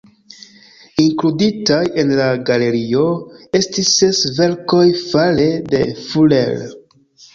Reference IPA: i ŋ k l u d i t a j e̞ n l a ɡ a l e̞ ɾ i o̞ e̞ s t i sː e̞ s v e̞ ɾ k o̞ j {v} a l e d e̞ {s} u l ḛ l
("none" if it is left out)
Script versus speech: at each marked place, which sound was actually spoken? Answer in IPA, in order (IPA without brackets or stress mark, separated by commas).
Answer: f, f